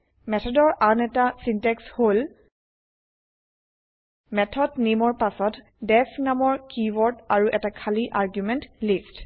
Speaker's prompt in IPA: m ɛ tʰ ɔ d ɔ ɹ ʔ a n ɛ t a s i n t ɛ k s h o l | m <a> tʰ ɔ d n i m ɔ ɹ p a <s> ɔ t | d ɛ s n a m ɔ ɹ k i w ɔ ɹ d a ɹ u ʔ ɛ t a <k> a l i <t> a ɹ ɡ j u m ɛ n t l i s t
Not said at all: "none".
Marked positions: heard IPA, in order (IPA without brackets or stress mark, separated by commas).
ɛ, s, kʰ, ʔ